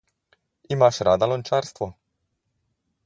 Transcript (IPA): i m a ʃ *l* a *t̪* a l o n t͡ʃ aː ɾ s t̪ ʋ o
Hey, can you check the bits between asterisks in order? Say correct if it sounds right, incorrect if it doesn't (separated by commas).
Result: incorrect, incorrect